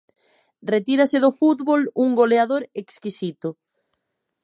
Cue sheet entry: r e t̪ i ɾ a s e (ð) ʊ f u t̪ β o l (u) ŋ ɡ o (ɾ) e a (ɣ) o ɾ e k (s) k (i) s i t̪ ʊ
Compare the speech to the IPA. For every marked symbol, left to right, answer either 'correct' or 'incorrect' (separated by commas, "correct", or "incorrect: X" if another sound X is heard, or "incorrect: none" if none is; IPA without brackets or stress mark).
correct, correct, incorrect: l, incorrect: ð, correct, correct